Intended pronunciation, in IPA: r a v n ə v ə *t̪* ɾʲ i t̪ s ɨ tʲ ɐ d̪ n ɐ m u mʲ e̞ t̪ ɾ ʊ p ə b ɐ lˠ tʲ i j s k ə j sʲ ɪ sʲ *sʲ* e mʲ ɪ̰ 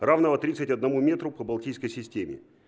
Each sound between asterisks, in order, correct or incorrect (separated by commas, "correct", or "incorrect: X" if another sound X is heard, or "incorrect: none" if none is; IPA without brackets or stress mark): correct, incorrect: tʲ